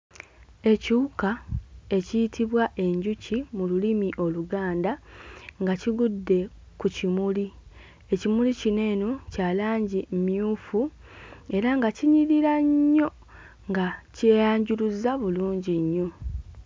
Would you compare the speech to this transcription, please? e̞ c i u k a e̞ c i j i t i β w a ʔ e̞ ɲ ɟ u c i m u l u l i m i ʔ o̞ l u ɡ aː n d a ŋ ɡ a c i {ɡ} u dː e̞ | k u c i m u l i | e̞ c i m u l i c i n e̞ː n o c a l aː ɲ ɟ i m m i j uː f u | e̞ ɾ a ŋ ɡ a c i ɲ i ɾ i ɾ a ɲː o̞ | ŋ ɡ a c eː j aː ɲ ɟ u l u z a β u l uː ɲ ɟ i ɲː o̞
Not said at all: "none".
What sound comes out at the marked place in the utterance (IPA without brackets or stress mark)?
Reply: ɡ